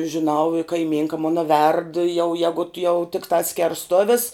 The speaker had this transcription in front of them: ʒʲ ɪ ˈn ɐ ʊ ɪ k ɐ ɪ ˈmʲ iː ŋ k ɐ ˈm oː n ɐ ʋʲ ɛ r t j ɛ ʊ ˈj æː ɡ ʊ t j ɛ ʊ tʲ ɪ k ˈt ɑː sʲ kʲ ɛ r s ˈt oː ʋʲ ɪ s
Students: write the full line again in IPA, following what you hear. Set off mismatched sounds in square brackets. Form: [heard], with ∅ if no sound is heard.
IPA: ʒʲ ɪ ˈn ɐ ʊ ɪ k ɐ ɪ ˈmʲ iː ŋ k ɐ ˈm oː n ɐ ʋʲ ɛ r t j ɛ ʊ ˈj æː ɡ ʊ t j ɛ ʊ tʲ ɪ k ˈt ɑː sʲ kʲ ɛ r s ˈt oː ʋʲ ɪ s